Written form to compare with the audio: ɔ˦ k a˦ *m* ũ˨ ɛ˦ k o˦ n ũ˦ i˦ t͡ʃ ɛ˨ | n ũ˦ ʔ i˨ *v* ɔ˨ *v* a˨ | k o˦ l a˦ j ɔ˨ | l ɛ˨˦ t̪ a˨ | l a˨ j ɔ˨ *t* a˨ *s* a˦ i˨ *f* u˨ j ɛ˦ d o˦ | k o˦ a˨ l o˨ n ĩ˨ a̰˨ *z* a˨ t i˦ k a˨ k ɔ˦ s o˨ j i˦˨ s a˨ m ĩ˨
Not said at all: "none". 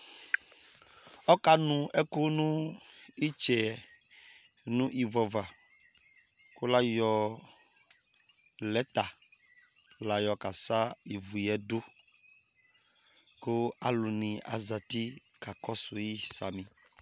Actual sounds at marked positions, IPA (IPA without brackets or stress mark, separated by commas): n, v, v, k, s, v, z